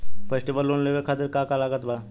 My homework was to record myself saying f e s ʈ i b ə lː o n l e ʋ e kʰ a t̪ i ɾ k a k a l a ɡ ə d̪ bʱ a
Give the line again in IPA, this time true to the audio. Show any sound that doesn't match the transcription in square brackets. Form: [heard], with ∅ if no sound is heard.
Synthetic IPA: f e s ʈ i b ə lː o n l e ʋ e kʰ a t̪ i ɾ k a k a l a ɡ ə [t̪] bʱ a